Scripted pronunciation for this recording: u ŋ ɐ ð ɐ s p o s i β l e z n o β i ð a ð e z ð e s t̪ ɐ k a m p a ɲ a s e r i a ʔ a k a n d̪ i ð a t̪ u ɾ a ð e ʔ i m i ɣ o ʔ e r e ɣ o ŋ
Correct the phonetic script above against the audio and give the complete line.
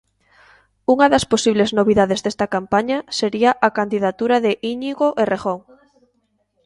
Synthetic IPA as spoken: u ŋ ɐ ð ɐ s p o s i β l e z n o β i ð a ð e z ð e s t̪ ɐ k a m p a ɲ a s e ɾ i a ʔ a k a n d̪ i ð a t̪ u ɾ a ð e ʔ i ɲ i ɣ o ʔ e r e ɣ o ŋ